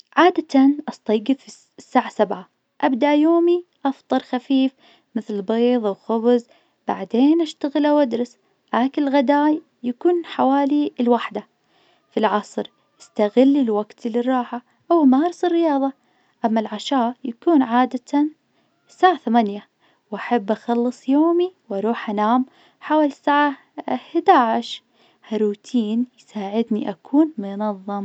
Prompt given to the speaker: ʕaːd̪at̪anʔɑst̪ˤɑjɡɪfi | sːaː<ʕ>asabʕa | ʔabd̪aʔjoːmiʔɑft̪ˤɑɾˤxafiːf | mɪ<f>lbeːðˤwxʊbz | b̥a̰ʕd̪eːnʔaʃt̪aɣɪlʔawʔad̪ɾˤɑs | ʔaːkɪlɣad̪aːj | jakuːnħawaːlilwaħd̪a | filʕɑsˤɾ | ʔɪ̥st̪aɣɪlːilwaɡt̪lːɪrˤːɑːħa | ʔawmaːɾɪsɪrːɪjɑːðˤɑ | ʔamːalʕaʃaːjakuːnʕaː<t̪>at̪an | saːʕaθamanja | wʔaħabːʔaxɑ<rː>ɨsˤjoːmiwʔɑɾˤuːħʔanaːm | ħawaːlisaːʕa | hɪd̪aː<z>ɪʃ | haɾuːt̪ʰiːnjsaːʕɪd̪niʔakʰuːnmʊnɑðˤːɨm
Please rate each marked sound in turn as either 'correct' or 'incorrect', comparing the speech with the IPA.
correct, incorrect: θ, incorrect: d̪, incorrect: lː, incorrect: ʕ

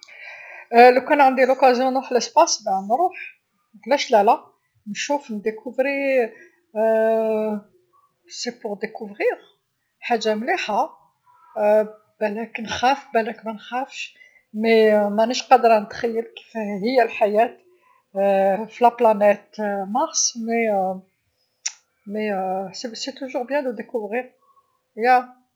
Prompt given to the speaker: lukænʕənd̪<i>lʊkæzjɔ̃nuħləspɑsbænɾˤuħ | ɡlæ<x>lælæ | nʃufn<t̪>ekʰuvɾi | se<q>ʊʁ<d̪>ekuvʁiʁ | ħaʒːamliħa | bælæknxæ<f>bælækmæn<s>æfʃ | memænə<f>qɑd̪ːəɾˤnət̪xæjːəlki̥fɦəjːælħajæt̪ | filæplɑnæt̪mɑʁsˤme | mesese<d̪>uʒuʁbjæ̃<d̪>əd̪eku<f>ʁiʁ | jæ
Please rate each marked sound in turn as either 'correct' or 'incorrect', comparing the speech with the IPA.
correct, incorrect: ʃ, incorrect: d̪, incorrect: p, correct, correct, incorrect: x, incorrect: ʃ, incorrect: t̪, correct, incorrect: v

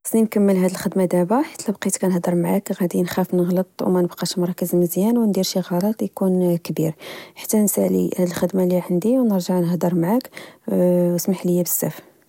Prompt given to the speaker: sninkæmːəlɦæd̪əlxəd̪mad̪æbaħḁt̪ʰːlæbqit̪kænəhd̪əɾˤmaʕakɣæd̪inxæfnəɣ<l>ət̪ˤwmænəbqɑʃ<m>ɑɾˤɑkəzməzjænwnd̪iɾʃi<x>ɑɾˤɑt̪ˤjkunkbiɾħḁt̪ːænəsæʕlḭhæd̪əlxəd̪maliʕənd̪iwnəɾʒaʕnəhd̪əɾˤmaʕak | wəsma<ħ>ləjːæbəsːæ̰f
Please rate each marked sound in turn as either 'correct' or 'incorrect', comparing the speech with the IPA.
correct, correct, incorrect: ɣ, correct

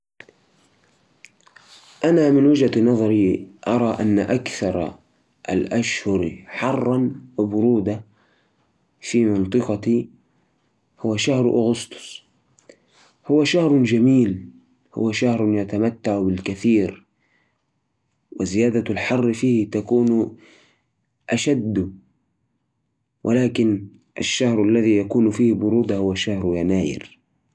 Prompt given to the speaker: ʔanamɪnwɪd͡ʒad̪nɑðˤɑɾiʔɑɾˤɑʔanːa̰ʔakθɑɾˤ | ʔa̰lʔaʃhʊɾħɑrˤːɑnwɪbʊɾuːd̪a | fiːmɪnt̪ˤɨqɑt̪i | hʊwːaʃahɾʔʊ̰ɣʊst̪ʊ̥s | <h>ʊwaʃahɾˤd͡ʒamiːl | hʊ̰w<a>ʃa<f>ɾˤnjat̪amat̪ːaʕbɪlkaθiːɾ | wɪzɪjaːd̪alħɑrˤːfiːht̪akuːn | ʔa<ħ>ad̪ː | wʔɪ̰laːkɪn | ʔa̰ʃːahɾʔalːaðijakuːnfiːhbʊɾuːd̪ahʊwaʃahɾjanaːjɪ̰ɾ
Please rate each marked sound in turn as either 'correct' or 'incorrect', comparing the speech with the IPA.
correct, correct, incorrect: h, incorrect: ʃ

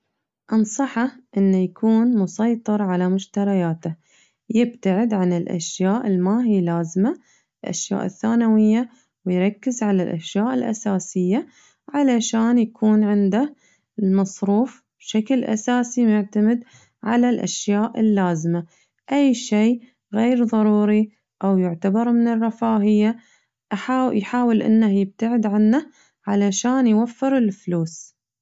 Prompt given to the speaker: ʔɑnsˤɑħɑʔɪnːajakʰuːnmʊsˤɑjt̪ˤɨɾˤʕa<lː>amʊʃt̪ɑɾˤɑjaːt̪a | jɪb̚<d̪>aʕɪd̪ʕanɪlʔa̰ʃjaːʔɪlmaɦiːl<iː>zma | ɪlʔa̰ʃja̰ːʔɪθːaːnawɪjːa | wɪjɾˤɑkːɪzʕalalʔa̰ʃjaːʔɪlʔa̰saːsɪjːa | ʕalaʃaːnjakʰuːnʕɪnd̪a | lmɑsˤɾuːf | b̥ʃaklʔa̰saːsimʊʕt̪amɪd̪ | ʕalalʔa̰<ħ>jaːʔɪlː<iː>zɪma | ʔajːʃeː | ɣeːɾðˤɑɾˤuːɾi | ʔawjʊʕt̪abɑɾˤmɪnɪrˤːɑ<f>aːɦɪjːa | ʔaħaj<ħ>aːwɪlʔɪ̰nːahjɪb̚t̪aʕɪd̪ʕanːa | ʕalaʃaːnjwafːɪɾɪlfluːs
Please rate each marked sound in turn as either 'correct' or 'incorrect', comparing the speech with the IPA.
incorrect: l, incorrect: t̪, incorrect: aː, incorrect: ʃ, incorrect: aː, correct, correct

